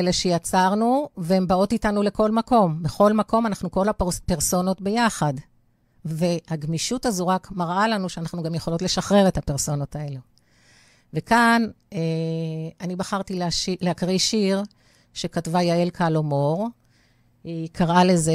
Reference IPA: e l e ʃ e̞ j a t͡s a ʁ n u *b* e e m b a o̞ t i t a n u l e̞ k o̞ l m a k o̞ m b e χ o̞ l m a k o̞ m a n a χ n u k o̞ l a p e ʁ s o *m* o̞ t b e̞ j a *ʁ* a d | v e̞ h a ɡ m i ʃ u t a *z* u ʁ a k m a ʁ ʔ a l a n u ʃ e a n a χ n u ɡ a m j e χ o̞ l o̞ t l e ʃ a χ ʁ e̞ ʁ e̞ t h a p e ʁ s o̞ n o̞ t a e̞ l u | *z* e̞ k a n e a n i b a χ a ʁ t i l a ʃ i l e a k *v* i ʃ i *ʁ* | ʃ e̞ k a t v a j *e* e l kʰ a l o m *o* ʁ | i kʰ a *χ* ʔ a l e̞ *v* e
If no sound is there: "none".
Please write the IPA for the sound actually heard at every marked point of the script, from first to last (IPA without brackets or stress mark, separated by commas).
v, n, χ, z, v, ʁ, ʁ, a, o, ʁ, z